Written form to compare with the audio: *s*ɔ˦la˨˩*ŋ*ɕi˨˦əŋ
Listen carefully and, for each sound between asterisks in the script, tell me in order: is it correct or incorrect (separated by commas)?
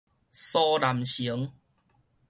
correct, incorrect